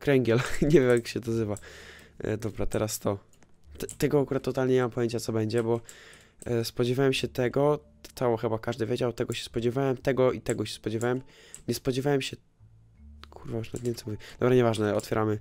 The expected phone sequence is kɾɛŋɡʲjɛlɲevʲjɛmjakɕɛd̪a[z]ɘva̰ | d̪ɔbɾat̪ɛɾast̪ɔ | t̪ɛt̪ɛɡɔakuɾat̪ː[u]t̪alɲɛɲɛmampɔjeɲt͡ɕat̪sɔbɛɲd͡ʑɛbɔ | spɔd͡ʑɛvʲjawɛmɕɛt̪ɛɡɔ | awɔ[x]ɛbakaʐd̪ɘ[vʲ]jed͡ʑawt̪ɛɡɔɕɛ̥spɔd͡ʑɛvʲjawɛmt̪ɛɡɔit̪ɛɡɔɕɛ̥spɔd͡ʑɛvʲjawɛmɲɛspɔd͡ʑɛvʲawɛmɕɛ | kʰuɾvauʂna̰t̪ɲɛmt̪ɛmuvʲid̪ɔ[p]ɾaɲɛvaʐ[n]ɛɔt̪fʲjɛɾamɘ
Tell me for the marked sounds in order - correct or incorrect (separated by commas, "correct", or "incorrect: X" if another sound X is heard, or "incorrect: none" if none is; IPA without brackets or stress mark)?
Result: correct, incorrect: ɔ, correct, correct, incorrect: b, correct